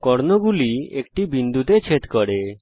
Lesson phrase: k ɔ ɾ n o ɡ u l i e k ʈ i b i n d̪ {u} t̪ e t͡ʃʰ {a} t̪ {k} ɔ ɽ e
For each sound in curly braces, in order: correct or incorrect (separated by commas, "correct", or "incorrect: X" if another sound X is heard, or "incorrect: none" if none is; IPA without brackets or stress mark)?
correct, incorrect: e, correct